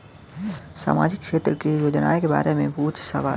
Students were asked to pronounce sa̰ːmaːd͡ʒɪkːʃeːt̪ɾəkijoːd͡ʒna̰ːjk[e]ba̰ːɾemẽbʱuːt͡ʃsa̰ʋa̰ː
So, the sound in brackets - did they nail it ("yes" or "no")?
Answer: yes